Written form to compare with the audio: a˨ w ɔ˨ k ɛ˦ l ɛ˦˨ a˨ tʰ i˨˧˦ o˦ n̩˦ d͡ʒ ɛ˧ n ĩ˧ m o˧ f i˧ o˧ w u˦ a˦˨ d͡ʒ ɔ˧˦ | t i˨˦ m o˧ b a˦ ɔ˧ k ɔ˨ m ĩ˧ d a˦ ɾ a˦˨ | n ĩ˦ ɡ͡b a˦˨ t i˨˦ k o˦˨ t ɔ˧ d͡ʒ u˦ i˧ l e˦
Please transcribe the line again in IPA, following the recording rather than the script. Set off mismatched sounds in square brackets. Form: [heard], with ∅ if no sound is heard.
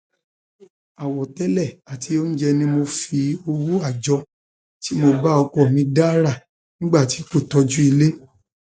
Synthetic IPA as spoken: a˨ w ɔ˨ [t] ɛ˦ l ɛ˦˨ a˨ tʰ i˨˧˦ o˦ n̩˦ d͡ʒ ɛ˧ n ĩ˧ m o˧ f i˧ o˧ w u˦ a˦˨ d͡ʒ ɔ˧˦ | t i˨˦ m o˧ b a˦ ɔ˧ k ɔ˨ m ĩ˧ d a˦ ɾ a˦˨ | n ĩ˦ ɡ͡b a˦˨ t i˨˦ k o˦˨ t ɔ˧ d͡ʒ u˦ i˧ l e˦